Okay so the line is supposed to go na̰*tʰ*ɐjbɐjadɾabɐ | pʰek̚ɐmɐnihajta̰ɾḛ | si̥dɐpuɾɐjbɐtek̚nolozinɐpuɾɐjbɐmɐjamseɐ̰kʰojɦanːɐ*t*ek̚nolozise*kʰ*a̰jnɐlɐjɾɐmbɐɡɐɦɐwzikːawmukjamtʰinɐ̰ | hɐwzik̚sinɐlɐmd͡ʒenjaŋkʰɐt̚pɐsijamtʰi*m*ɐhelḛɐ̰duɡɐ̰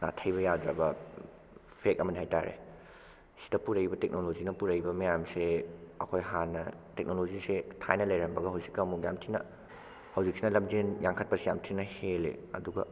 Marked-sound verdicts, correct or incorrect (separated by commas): correct, correct, incorrect, incorrect